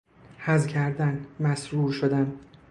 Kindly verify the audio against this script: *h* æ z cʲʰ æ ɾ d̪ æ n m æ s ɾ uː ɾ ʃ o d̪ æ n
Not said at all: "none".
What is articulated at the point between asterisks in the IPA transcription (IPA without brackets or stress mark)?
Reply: h